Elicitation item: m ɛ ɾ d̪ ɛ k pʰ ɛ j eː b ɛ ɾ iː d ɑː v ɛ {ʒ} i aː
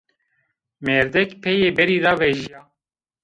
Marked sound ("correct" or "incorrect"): correct